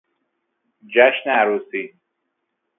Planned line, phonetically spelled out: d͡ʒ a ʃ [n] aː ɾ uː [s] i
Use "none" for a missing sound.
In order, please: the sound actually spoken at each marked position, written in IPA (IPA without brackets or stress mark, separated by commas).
n, s